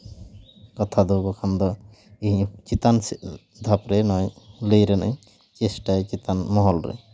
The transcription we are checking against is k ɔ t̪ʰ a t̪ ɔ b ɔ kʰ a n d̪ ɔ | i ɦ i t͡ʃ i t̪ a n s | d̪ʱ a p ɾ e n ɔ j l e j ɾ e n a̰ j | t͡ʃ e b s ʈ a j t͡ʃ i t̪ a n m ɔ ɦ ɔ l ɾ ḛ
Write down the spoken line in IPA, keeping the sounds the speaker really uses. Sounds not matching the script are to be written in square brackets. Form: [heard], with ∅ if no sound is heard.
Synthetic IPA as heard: k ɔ t̪ʰ a [d̪] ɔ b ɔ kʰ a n d̪ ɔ | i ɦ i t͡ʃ i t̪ a n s | d̪ʱ a p ɾ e n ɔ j l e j ɾ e n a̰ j | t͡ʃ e [∅] s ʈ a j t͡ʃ i t̪ a n m ɔ ɦ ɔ l ɾ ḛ